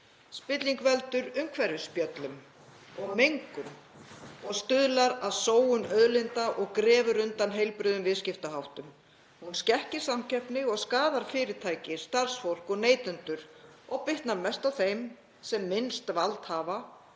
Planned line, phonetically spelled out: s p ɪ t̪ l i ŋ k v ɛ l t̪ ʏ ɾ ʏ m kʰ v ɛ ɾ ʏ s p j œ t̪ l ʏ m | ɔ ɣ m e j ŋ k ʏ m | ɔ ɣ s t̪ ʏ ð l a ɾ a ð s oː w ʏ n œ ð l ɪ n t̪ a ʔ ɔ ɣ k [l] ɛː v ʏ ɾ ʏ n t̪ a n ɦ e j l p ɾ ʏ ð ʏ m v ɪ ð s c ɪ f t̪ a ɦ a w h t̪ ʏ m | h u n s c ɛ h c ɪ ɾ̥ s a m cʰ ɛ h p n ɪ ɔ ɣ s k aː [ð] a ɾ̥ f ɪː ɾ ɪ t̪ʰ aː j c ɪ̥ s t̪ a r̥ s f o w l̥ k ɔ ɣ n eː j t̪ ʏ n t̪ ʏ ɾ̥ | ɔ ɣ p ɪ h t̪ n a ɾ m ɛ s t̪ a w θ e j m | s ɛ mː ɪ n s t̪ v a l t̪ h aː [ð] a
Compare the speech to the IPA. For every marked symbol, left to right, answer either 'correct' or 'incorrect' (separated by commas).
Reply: incorrect, correct, incorrect